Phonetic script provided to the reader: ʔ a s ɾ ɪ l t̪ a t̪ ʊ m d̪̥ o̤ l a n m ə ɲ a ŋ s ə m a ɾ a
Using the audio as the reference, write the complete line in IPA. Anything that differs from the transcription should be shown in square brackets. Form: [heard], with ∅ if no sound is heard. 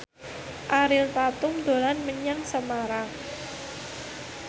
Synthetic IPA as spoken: ʔ a [∅] ɾ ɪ l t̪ a t̪ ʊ m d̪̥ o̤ l a n m ə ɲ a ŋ s ə m a ɾ a